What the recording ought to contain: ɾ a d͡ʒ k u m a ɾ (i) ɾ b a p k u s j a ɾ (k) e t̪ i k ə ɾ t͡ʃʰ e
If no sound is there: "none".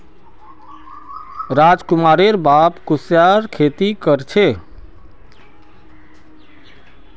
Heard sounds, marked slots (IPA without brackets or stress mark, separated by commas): e, kʰ